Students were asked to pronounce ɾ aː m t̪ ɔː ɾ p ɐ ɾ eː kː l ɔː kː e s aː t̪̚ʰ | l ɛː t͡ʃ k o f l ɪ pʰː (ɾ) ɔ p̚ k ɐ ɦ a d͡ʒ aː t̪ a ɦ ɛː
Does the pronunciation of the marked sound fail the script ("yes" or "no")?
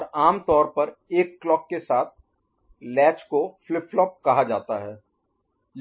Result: yes